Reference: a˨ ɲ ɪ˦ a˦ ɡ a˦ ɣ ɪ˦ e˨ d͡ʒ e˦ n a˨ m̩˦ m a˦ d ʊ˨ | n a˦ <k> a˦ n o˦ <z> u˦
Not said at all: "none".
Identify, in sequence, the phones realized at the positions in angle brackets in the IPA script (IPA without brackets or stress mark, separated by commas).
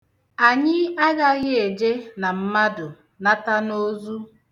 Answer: t, z